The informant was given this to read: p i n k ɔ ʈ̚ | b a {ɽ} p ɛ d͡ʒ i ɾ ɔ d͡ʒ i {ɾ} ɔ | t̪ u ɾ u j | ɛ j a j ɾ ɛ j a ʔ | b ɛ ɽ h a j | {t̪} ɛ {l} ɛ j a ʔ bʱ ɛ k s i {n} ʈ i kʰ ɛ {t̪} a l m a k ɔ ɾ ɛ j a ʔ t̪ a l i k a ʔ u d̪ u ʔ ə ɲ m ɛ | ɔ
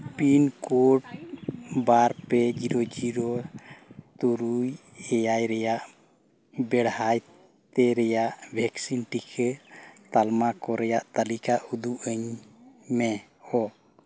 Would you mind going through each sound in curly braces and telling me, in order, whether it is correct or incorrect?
incorrect: ɾ, correct, correct, incorrect: ɾ, correct, correct

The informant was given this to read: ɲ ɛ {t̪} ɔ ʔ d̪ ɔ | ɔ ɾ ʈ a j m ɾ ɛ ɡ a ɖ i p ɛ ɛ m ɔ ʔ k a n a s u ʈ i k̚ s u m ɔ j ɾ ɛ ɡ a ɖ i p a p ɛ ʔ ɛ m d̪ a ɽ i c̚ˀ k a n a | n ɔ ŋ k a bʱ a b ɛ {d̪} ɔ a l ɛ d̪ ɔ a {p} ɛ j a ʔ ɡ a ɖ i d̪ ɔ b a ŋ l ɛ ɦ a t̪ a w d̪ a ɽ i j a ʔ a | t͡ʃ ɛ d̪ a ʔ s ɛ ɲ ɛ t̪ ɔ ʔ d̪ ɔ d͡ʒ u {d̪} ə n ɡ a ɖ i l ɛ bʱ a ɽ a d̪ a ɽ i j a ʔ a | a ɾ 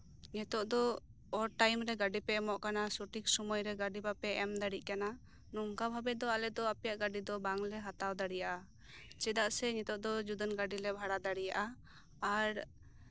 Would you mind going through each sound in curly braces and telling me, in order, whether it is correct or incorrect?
correct, correct, correct, correct

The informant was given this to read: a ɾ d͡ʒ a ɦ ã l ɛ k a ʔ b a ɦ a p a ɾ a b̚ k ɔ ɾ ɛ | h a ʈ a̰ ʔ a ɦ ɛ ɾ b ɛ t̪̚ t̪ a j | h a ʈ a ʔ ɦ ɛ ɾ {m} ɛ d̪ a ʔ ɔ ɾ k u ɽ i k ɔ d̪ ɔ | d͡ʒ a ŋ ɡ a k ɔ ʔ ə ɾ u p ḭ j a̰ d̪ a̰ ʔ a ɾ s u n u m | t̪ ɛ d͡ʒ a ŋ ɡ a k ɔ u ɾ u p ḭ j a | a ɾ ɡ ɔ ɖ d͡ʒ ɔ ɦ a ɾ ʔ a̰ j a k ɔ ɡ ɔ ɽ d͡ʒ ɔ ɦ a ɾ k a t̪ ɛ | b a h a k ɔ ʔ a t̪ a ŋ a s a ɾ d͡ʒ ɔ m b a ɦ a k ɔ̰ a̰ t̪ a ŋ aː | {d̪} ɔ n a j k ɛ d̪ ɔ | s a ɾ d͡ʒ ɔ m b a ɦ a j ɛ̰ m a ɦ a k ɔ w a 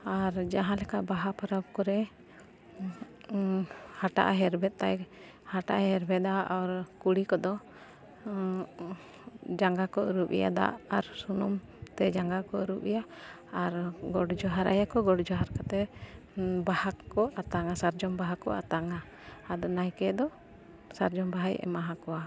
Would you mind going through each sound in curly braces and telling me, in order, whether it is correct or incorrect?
incorrect: b, correct

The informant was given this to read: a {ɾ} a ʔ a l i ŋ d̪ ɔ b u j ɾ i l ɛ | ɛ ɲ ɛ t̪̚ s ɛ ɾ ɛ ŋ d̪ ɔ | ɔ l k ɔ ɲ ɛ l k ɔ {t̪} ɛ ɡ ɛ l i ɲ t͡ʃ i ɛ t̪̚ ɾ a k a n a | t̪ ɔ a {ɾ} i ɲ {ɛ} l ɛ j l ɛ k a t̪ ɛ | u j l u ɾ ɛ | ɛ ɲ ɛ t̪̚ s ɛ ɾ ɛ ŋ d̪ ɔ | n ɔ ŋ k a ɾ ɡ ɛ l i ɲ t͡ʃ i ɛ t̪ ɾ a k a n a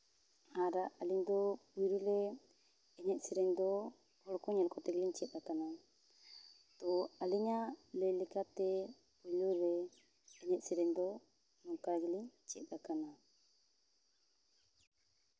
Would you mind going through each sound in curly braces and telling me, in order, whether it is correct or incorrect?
correct, correct, incorrect: l, incorrect: a

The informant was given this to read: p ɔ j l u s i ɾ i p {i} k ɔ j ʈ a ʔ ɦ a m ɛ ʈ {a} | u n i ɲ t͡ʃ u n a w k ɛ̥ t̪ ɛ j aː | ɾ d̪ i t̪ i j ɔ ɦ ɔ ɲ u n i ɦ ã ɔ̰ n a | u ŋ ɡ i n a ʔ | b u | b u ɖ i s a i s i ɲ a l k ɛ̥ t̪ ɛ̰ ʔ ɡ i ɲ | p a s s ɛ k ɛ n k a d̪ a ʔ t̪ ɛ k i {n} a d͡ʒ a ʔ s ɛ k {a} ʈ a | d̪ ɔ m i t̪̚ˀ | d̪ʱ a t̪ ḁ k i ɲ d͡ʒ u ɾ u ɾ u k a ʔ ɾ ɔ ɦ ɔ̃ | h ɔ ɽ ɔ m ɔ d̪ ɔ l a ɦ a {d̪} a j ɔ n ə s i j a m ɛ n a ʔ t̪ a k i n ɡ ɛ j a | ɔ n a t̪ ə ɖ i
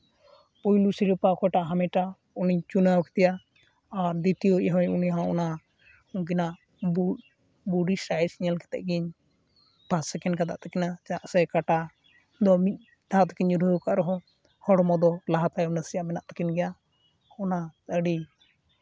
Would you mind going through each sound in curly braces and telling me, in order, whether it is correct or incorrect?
incorrect: a, correct, correct, correct, incorrect: t̪

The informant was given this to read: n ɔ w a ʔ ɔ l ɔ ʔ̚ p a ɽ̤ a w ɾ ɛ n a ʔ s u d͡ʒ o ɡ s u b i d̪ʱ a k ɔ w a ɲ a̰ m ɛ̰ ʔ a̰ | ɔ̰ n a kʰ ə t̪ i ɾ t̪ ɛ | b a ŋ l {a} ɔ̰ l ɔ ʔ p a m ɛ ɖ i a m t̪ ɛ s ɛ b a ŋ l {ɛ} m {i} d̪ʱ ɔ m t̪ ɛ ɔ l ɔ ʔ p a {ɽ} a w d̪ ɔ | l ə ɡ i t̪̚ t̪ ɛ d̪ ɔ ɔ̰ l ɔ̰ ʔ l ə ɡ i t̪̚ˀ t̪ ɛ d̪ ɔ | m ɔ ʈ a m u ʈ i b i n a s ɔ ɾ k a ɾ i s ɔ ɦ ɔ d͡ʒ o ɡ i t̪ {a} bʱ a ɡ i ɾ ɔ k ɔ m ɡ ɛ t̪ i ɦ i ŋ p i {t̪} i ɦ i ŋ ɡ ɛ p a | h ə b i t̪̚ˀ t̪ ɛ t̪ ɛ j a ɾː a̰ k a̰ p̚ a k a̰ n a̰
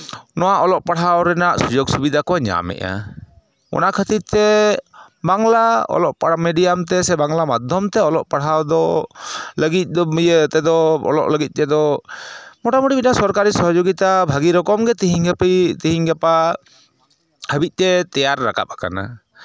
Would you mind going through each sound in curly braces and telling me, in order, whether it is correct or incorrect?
correct, incorrect: a, incorrect: a, correct, correct, correct

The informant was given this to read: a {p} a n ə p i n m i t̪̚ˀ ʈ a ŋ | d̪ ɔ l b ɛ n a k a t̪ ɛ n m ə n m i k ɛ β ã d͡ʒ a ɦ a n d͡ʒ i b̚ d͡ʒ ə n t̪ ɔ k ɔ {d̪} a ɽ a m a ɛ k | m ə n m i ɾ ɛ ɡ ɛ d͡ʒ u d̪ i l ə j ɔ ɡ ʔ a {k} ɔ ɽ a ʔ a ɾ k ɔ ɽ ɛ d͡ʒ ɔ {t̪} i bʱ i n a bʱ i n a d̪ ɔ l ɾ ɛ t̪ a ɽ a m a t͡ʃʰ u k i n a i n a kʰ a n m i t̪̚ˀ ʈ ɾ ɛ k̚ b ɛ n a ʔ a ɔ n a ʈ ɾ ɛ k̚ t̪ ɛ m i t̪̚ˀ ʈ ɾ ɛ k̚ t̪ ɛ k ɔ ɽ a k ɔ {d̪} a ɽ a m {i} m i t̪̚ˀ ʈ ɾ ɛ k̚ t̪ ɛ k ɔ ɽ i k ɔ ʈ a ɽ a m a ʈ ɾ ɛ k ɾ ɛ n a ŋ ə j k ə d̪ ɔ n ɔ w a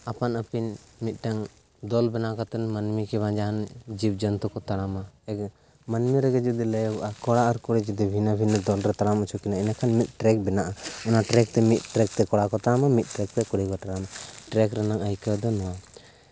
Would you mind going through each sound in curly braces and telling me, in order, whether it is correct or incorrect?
correct, incorrect: t̪, correct, incorrect: d̪, incorrect: t̪, incorrect: a

